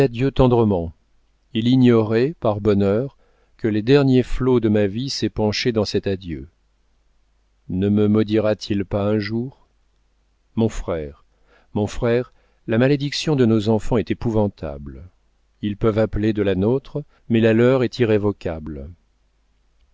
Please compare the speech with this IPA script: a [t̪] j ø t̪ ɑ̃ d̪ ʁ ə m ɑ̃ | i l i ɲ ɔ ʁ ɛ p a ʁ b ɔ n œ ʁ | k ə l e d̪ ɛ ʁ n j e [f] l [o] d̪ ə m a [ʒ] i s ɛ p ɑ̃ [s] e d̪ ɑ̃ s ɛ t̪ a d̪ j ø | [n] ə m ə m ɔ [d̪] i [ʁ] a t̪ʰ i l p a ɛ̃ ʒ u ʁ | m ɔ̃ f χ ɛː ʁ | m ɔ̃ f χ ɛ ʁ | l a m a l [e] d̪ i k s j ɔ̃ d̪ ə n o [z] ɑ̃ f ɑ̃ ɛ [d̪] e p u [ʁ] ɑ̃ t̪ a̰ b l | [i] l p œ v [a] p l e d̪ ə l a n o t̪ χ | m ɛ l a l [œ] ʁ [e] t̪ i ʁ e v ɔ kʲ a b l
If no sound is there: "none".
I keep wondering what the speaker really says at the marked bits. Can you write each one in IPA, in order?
d̪, f, o, v, ʃ, n, d̪, ʁ, e, z, t̪, v, i, a, œ, ɛ

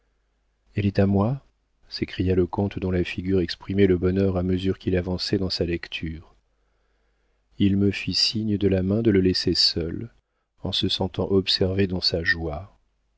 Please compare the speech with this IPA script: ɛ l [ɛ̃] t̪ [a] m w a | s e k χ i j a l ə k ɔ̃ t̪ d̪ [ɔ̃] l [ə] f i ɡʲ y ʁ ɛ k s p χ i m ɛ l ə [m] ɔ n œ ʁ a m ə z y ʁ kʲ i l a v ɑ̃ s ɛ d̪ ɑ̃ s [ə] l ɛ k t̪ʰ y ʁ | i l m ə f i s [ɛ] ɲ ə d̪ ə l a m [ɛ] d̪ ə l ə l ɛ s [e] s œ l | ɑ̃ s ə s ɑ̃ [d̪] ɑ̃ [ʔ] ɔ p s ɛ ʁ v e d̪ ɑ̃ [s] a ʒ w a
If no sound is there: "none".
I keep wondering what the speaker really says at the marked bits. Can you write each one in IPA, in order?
ɛ, a, ɔ̃, a, b, a, i, ɛ̃, e, t̪, ʔ, s

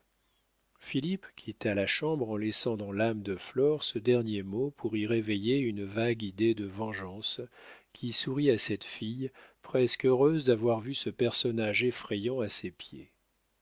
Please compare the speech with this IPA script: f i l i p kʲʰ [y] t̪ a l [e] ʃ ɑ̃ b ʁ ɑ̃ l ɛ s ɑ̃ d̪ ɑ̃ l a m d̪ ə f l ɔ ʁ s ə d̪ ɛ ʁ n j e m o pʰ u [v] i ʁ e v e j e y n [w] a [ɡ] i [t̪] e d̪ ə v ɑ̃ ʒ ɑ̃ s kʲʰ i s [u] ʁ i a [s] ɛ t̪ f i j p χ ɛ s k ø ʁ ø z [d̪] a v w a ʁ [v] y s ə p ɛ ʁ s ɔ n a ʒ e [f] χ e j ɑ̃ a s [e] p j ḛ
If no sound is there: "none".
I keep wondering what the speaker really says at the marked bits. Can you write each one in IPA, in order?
i, a, ʁ, v, ɡ, d̪, u, s, d̪, v, f, e

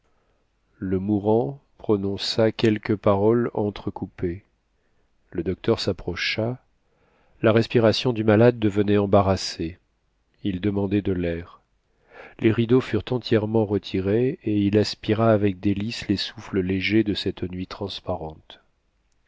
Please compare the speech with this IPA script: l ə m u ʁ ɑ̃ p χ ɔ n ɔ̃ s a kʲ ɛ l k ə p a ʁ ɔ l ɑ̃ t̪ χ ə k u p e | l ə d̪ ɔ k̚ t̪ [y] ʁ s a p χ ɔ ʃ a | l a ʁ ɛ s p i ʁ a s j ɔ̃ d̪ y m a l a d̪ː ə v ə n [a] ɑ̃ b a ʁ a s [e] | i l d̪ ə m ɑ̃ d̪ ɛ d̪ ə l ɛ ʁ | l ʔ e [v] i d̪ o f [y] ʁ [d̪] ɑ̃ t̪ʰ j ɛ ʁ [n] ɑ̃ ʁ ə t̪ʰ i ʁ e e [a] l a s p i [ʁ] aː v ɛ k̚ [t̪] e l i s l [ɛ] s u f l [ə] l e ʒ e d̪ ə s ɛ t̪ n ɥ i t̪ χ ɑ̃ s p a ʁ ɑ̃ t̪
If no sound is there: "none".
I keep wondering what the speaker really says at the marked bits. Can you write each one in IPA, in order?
œ, ɛ, e, ʁ, y, t̪, m, i, ʁ, d̪, e, ə

